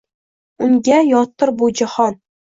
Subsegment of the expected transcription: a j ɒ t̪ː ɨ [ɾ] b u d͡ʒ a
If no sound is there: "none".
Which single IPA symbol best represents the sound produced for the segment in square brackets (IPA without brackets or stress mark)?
ɾ